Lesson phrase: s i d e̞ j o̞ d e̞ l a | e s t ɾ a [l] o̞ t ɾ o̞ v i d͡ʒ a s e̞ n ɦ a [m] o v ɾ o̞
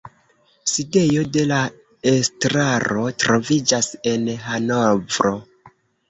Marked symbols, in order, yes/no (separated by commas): no, no